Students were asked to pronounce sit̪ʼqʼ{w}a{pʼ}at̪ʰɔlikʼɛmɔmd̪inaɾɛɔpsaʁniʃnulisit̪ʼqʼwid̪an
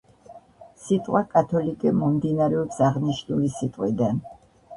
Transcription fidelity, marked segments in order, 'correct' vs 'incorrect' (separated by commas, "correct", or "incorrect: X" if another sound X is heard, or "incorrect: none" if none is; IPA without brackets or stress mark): correct, incorrect: kʼ